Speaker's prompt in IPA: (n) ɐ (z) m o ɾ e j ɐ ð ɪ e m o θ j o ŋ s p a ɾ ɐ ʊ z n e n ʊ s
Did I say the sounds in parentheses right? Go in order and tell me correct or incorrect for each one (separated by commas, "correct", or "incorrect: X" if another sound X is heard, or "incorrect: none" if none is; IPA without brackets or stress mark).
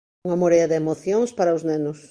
incorrect: ŋ, incorrect: none